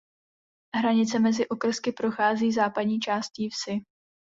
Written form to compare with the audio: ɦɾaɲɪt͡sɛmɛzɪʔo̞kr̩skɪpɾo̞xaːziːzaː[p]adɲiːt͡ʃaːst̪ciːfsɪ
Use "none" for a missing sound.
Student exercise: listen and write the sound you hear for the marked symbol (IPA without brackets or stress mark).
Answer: p